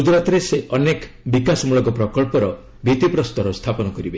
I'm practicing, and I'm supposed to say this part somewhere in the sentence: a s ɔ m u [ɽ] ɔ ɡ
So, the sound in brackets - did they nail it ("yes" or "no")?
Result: no